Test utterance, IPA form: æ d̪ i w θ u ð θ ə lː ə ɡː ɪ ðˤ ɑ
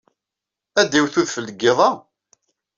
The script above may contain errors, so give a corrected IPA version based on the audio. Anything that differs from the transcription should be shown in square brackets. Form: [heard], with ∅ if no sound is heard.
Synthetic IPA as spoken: æ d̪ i w θ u ð [f] ə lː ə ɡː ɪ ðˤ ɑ